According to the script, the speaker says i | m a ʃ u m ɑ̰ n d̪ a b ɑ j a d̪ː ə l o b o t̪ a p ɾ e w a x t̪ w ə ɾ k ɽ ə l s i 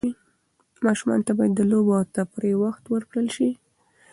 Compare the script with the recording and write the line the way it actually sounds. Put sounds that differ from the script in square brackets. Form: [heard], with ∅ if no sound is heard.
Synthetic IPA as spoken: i | m [ɑ] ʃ u m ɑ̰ n [t̪] a b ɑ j a d̪ː ə l o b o t̪ a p ɾ e w a x t̪ w ə ɾ k ɽ ə l [ʃ] i